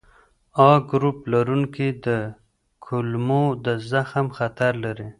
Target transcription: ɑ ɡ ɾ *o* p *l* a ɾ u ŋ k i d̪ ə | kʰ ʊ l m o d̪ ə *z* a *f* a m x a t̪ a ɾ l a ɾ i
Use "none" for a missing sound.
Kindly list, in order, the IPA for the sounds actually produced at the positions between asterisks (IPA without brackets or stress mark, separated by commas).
u, l, z, x